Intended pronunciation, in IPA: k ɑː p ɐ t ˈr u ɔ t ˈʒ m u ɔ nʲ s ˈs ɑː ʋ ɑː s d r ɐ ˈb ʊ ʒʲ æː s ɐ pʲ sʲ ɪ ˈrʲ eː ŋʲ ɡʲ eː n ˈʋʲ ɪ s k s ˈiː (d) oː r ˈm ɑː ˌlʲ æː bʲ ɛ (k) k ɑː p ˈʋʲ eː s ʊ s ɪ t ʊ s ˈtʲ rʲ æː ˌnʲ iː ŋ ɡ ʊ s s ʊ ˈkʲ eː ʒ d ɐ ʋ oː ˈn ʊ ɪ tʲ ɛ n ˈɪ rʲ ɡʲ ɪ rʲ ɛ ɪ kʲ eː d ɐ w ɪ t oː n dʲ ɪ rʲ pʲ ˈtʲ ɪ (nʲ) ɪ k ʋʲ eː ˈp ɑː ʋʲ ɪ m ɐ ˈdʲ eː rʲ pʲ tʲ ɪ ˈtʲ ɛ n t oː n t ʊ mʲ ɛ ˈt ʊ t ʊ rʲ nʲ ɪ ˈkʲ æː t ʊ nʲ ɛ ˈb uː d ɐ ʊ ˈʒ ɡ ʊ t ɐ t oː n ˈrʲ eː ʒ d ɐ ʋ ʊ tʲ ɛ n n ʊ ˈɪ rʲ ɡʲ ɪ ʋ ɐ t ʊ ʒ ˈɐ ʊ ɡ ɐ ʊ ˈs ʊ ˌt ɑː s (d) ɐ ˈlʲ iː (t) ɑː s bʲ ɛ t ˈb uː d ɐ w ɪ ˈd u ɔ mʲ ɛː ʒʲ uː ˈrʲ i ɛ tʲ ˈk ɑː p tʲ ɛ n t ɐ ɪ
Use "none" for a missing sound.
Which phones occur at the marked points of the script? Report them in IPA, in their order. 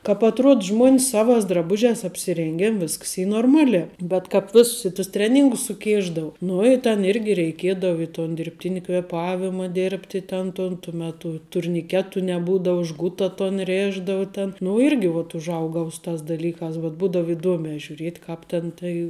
n, t, nʲ, d, k

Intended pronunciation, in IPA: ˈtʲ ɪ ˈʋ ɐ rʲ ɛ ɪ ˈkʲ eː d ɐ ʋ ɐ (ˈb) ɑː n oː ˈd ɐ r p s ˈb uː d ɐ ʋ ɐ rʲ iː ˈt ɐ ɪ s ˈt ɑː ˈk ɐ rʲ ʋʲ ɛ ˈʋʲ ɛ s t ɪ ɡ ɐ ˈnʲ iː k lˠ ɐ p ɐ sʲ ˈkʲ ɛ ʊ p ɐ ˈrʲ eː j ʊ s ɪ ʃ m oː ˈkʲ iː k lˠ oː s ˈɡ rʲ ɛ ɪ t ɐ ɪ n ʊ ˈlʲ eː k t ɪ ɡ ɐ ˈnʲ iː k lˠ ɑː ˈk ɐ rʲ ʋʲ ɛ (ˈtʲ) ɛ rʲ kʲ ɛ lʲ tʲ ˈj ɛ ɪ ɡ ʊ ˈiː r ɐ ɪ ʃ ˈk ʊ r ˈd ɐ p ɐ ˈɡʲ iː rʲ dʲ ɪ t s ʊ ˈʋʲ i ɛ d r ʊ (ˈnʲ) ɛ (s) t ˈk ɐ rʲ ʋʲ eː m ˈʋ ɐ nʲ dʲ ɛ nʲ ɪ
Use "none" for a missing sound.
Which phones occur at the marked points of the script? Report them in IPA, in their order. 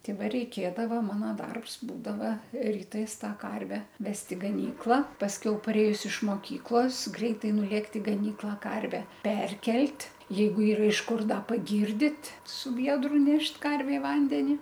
m, pʲ, nʲ, ʃ

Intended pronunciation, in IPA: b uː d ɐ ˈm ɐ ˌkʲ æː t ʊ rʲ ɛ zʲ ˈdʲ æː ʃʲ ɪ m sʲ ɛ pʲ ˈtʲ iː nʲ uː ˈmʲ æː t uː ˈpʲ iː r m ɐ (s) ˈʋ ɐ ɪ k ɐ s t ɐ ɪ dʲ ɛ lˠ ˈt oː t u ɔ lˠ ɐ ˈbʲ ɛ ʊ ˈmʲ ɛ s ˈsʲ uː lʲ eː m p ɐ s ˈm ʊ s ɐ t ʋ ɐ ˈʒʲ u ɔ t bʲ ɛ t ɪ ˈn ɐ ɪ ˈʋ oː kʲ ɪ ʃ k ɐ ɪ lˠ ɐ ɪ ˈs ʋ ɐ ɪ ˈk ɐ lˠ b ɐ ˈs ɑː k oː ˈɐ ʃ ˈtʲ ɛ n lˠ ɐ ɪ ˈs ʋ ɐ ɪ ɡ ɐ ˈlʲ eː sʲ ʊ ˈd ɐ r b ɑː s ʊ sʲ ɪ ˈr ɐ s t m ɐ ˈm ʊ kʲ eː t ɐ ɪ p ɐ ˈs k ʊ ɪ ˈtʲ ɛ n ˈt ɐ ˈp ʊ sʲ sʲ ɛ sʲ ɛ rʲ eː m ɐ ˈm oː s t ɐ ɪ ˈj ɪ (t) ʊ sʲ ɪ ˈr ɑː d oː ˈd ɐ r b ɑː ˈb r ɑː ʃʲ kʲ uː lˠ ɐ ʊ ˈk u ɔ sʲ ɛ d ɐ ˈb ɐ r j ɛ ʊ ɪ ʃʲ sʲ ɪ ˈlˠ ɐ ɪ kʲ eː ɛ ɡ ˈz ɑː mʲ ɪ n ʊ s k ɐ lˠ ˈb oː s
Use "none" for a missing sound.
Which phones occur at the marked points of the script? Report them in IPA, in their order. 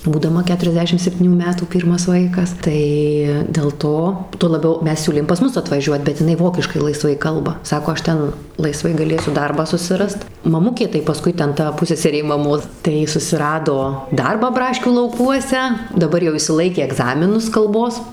s, s

